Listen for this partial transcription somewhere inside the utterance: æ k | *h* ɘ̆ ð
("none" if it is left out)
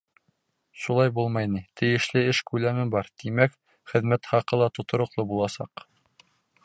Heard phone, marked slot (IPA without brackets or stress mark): χ